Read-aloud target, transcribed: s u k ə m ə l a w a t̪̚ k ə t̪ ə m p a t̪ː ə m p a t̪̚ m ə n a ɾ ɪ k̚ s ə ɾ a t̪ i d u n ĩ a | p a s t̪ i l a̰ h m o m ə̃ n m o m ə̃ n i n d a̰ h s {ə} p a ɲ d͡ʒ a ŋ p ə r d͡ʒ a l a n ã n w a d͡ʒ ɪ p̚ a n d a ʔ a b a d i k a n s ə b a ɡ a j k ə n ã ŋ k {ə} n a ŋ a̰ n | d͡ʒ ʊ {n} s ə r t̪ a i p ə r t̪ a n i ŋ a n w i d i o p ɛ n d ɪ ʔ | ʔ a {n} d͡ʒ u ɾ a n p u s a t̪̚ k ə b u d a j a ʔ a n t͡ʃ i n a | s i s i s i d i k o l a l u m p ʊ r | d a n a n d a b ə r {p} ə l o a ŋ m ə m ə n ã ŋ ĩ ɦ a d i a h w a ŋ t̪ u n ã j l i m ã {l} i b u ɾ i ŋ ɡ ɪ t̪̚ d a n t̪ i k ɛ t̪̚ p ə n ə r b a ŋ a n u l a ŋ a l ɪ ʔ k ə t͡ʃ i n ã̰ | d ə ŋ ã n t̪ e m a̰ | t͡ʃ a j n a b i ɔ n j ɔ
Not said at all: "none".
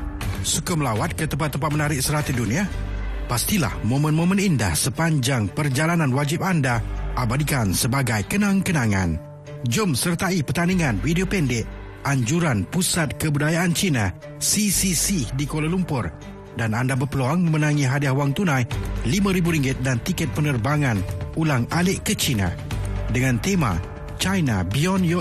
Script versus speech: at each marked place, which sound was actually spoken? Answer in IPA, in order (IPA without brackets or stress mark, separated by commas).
ə, ə, m, ɲ, p, ɾ